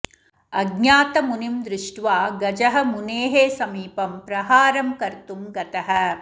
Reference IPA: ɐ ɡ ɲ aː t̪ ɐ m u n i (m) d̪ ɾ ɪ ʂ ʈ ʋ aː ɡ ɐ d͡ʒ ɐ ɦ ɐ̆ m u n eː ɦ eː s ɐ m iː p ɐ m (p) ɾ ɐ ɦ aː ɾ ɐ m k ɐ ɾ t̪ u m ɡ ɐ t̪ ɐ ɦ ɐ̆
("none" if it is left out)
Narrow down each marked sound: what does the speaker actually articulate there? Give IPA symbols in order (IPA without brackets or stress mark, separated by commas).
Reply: m, p